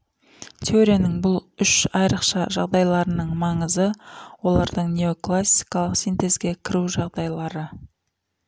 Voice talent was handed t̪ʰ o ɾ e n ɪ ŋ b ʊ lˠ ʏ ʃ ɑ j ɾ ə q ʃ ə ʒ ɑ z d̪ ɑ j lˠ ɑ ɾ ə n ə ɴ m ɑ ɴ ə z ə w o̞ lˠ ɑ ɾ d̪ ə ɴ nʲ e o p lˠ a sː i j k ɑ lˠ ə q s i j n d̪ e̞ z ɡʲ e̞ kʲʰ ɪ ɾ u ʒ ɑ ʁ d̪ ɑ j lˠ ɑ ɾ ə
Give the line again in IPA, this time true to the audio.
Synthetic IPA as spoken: t̪ʰ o ɾ e n ɪ ŋ b ʊ lˠ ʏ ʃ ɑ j ɾ ə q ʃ ɑ ʒ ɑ ʁ d̪ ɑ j lˠ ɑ ɾ ə n ə ɴ m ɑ ɴ ə z ə w o̞ lˠ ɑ ɾ d̪ ə ɴ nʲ e o k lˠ a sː i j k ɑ lˠ ə q s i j n t̪ e̞ z ɡʲ e̞ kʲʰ ɪ ɾ u ʒ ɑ ʁ d̪ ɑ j lˠ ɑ ɾ ə